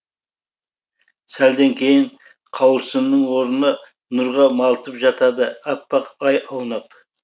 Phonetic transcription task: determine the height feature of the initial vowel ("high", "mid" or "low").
low